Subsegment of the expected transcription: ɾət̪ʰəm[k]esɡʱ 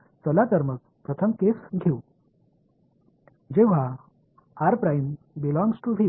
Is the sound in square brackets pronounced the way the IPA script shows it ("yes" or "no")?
yes